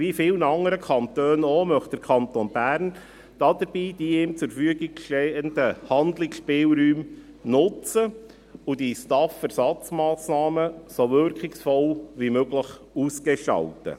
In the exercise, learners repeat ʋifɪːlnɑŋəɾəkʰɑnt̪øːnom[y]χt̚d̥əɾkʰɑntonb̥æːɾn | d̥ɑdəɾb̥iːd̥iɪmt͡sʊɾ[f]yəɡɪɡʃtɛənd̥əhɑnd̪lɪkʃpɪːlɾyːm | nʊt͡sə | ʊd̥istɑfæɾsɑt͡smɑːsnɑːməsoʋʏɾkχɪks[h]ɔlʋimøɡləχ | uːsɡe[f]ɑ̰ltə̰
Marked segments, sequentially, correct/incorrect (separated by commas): incorrect, correct, incorrect, incorrect